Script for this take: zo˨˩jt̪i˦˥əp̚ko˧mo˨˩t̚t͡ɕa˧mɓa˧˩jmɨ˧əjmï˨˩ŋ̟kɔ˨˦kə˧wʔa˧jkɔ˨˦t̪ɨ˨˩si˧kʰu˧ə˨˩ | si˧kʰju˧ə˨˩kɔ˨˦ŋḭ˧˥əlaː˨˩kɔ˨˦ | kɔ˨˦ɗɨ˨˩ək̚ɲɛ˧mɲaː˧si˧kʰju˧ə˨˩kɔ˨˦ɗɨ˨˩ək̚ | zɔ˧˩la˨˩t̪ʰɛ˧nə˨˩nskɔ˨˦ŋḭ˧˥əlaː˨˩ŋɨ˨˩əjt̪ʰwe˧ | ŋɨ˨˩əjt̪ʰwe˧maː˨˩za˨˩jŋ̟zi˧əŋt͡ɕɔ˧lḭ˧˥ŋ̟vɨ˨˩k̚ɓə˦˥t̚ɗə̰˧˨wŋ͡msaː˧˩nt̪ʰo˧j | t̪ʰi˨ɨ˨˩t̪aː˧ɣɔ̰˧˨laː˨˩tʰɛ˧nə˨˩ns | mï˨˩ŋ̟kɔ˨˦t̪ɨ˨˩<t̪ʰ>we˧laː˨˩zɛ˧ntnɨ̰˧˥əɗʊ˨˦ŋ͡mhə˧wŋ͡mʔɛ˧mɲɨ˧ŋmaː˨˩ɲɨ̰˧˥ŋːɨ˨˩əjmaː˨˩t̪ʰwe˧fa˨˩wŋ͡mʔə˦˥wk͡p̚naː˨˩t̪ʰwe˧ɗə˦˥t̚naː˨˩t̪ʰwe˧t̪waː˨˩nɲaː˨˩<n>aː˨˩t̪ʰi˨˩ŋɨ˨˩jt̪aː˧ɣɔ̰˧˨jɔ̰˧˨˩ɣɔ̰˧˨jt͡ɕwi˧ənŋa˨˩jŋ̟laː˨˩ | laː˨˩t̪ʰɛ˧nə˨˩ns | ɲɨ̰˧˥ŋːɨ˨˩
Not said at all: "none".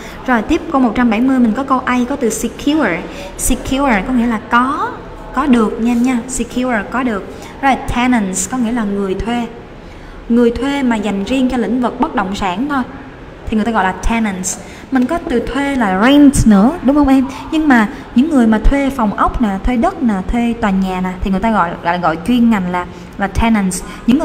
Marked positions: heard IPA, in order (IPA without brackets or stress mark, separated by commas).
t̪ʰ, n